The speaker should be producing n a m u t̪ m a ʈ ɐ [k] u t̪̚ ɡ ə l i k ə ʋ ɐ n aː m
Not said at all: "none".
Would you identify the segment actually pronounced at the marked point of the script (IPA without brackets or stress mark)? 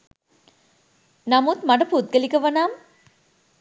p